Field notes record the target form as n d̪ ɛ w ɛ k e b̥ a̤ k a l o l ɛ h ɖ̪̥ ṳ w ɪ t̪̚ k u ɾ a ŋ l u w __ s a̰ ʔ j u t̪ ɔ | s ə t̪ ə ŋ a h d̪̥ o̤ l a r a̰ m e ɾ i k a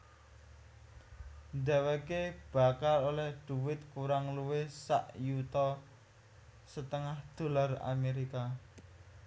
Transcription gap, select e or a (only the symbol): e